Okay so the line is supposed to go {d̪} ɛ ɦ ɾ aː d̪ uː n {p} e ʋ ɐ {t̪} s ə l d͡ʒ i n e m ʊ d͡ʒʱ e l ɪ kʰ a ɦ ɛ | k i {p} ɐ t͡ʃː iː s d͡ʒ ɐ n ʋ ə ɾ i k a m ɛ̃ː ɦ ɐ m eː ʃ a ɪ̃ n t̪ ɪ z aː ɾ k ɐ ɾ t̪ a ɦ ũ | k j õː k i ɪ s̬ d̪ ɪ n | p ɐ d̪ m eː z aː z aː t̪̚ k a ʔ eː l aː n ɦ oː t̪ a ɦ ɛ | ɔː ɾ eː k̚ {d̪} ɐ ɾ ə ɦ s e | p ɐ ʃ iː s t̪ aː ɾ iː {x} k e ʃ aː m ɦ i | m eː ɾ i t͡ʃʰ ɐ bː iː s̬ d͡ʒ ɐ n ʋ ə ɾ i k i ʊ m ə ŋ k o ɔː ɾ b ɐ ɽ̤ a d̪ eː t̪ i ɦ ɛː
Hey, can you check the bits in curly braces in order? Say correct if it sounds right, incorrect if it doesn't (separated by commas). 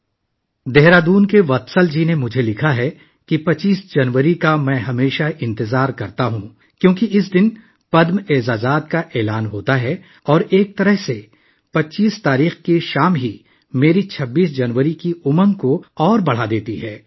correct, incorrect, correct, correct, incorrect, correct